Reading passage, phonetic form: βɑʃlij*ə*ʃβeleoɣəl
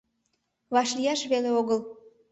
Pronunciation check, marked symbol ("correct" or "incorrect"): incorrect